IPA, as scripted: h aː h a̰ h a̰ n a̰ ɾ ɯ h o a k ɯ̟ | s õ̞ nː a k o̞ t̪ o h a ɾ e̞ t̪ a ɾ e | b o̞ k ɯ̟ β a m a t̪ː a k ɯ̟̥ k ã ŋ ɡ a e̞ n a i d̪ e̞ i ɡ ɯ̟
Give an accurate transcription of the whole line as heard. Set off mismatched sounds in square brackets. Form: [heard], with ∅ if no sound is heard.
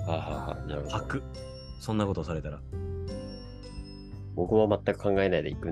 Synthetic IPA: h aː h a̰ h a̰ n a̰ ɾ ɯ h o a k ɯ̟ | s õ̞ nː a k o̞ t̪ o [s] a ɾ e̞ t̪ a ɾ [a] | b o̞ k ɯ̟ β a m a t̪ː a k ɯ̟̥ k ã ŋ ɡ a e̞ n a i d̪ e̞ i [k] ɯ̟